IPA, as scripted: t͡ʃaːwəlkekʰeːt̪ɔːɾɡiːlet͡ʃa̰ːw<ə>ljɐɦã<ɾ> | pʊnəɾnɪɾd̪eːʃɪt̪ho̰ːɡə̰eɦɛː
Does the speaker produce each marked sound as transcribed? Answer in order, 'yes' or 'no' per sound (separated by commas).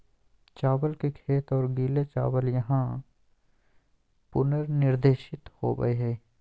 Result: yes, no